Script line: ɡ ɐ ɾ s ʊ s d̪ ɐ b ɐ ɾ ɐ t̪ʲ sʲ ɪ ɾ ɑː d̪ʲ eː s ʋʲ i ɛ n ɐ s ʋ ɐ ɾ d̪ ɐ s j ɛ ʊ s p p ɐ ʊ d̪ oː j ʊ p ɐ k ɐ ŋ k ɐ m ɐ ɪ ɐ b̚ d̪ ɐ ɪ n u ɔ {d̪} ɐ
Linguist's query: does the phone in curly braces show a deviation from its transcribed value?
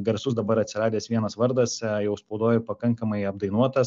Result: yes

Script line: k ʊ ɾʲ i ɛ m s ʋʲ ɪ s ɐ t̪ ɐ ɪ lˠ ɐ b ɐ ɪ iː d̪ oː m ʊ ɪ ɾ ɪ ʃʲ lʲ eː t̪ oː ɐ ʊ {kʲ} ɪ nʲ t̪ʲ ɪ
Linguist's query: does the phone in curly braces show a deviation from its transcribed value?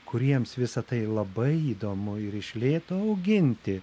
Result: yes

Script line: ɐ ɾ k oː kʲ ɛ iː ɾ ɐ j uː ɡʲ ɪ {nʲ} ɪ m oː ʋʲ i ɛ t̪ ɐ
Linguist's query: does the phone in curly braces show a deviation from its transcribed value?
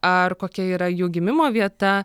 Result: yes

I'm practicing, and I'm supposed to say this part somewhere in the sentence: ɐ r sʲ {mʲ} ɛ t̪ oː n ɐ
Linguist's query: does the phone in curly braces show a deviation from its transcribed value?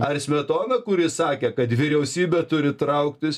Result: no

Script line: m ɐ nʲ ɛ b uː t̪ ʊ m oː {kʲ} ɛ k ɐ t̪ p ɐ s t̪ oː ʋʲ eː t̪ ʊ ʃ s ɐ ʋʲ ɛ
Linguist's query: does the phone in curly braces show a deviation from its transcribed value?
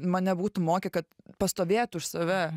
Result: no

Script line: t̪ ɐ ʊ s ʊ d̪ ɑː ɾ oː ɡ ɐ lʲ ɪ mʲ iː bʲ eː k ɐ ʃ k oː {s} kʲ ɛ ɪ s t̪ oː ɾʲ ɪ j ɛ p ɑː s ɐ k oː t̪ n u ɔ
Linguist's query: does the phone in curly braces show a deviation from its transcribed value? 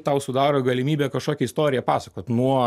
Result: yes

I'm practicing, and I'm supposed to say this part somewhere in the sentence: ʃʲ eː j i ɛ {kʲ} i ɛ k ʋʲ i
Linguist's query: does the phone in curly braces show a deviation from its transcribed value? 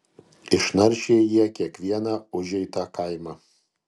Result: no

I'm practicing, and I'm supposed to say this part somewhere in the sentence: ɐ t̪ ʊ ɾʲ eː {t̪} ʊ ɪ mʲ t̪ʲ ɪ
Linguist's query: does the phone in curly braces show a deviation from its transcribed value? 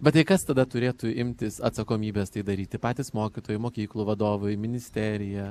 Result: no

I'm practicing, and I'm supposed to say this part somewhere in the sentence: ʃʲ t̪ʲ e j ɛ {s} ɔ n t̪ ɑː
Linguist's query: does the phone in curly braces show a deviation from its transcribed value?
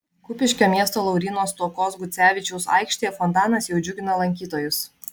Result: yes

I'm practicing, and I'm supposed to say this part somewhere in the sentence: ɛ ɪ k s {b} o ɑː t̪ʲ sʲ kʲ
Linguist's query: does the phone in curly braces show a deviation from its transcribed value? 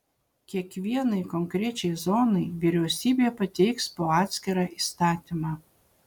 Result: yes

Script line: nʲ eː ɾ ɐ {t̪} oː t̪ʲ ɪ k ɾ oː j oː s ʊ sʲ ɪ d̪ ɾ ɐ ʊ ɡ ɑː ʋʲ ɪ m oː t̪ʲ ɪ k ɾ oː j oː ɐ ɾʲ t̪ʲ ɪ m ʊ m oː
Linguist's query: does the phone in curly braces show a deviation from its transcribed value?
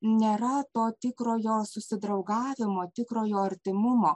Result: no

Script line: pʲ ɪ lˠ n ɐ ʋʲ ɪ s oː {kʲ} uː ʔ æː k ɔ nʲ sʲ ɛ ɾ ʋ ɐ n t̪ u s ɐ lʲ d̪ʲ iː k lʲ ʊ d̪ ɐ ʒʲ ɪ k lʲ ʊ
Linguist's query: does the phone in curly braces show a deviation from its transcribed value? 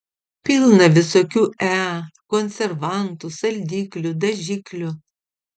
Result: no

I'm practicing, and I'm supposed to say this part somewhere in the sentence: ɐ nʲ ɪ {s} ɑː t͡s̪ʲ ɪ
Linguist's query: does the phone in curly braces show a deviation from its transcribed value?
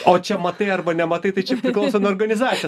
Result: yes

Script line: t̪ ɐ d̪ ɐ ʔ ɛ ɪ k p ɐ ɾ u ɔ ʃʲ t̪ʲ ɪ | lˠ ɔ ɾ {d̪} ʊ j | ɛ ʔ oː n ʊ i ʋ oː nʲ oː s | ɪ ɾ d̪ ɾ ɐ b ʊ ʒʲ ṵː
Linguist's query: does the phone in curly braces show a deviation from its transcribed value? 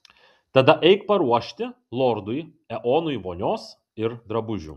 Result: no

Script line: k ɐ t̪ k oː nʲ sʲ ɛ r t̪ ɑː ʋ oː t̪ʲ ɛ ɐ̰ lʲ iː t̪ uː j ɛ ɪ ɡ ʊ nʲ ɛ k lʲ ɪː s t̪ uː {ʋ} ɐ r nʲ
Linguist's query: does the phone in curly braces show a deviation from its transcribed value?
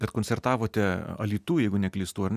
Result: yes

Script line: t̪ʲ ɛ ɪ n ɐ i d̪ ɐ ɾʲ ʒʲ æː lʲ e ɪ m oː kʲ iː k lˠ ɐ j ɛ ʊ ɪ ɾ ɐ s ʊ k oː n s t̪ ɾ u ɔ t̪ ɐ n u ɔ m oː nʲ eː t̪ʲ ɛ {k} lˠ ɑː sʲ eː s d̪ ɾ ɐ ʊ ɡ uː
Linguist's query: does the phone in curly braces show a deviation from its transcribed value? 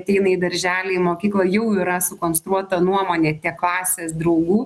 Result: no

